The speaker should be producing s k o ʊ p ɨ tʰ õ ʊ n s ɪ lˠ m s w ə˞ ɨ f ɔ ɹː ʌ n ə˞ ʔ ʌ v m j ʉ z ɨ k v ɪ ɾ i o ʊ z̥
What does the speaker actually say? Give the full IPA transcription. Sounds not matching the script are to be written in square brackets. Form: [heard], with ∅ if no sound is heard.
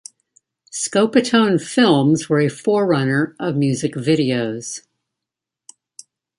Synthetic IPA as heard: s k o ʊ p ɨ tʰ õ [ʊ̃] n [f] ɪ lˠ m [z] w ə˞ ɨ f ɔ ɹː ʌ n ə˞ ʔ ʌ v m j ʉ z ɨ k v ɪ ɾ i o ʊ z̥

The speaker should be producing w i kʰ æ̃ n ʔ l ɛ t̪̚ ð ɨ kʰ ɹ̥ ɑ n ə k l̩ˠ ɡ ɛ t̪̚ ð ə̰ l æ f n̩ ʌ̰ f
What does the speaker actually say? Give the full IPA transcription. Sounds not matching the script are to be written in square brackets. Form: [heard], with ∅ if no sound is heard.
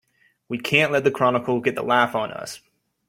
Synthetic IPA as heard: w i kʰ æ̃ n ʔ l ɛ t̪̚ ð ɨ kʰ ɹ̥ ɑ n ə k l̩ˠ ɡ ɛ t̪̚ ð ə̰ l æ f n̩ ʌ̰ [s]

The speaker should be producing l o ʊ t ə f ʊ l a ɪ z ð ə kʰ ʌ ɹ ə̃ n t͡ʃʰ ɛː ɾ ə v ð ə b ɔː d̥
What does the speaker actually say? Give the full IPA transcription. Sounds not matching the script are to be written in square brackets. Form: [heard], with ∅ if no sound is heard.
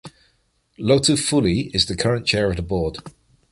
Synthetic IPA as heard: l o ʊ t ə f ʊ l [i] ɪ z ð ə kʰ ʌ ɹ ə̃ n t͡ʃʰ ɛː [ɹ] ə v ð ə b ɔː d̥

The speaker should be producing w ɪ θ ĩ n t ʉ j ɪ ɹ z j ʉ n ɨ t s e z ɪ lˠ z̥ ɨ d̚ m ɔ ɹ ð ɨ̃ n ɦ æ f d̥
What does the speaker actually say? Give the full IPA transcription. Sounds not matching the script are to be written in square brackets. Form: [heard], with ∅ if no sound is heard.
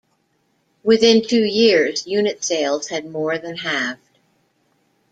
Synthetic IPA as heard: w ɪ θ [ɪ̃] n [tʰ] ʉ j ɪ ɹ z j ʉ n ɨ t s e [∅] ɪ lˠ z̥ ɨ d̚ m ɔ ɹ ð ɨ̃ n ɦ æ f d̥

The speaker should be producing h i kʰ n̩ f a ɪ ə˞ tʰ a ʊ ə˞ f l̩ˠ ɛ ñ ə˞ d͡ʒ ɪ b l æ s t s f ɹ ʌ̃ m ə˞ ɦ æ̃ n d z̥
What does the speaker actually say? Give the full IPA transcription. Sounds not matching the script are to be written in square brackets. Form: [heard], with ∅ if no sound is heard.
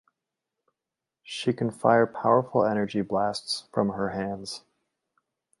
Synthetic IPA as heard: [ʃ] i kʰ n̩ f a ɪ ə˞ [pʰ] a ʊ ə˞ f l̩ˠ ɛ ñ ə˞ d͡ʒ [i] b l æ s t s f ɹ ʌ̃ m ə˞ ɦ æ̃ n d z̥

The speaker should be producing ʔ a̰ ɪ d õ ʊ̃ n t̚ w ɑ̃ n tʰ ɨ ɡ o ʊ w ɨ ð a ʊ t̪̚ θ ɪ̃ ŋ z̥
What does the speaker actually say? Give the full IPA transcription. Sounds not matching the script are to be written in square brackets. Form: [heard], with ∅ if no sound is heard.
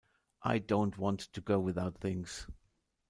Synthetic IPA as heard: ʔ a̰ ɪ d õ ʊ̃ n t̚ w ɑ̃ n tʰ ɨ ɡ o ʊ w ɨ ð a ʊ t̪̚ θ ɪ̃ ŋ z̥

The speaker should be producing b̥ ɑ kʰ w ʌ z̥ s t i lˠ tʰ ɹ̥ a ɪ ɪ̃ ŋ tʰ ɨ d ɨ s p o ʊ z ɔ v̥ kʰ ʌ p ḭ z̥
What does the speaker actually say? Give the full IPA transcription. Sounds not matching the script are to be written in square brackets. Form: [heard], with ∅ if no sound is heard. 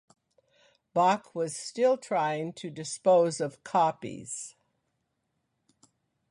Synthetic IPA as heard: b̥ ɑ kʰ w ʌ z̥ s t [ɪ] lˠ tʰ ɹ̥ a ɪ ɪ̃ ŋ tʰ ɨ d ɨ s p o ʊ z [ʌ] v̥ kʰ [ɑ] p ḭ z̥

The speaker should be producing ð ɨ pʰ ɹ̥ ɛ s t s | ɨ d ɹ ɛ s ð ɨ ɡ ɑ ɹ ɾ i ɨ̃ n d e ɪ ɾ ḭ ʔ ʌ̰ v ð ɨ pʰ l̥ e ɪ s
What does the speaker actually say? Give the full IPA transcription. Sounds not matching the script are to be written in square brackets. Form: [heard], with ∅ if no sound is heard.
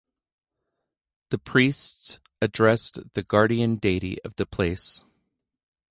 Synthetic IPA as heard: ð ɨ pʰ ɹ̥ [i] s t s | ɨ d ɹ ɛ s ð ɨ ɡ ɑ ɹ ɾ i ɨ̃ n d e ɪ ɾ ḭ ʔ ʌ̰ v ð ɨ pʰ l̥ e ɪ s

